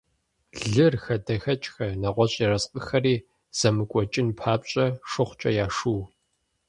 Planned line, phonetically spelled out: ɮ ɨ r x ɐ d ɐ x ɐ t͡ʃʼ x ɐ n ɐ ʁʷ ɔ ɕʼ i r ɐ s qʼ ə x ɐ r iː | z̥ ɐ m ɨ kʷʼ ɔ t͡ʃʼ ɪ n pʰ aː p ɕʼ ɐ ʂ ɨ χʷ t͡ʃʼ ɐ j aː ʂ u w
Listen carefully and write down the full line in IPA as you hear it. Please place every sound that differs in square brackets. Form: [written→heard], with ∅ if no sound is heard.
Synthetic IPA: ɮ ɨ r x ɐ d ɐ x ɐ t͡ʃʼ x ɐ n ɐ ʁʷ ɔ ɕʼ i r ɐ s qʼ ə x ɐ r iː | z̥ ɐ m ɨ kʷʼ ɔ t͡ʃʼ ɪ n pʰ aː p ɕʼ ɐ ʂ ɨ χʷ t͡ʃʼ ɐ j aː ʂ u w